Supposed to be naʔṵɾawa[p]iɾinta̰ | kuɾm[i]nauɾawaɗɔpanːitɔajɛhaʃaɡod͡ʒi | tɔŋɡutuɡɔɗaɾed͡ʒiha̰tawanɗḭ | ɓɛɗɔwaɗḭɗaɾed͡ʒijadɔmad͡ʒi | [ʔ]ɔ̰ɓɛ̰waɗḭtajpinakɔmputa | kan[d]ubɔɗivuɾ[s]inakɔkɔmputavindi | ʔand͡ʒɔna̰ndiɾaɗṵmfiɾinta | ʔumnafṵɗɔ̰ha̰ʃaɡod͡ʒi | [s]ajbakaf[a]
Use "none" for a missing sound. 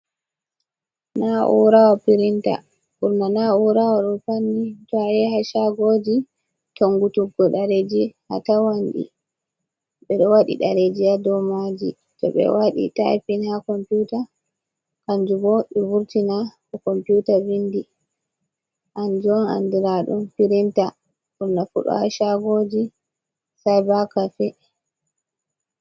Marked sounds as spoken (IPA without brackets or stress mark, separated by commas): p, a, t, d͡ʒ, t, s, ɛ